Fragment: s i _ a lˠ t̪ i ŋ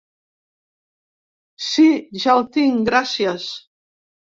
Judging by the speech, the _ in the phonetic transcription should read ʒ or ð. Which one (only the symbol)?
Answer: ʒ